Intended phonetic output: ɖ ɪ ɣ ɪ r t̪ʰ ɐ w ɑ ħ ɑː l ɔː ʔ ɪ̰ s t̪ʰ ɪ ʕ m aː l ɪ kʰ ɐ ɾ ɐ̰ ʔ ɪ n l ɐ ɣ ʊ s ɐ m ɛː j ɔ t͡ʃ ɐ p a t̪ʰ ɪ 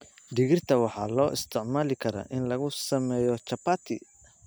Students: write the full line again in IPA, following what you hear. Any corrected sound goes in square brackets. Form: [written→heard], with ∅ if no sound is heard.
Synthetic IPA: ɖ ɪ ɣ ɪ r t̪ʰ ɐ w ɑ ħ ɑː l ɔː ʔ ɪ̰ s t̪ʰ ɪ ʕ m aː l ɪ kʰ ɐ ɾ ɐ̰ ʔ ɪ n l ɐ ɣ ʊ s ɐ m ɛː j ɔ t͡ʃ ɐ p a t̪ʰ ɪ